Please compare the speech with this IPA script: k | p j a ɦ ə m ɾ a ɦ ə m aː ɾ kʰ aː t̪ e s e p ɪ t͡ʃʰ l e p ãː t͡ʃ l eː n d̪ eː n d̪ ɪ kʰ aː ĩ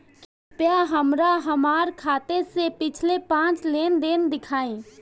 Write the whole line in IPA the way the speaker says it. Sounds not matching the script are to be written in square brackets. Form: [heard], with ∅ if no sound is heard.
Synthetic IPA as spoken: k | p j a ɦ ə m ɾ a ɦ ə m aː ɾ kʰ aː t̪ e s e p ɪ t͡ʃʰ l e p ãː t͡ʃ l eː n d̪ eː n d̪ ɪ kʰ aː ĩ